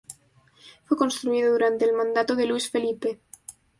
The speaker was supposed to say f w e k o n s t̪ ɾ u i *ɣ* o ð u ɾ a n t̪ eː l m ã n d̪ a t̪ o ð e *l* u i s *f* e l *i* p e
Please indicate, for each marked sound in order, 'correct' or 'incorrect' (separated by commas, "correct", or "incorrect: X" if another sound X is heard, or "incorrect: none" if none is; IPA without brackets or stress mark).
incorrect: ð, correct, correct, correct